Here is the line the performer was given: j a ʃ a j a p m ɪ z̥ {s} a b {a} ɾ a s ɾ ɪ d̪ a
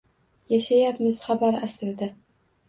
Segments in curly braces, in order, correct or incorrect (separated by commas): incorrect, correct